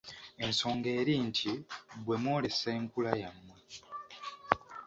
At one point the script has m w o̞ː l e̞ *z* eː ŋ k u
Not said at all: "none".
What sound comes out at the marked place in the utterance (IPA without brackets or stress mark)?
s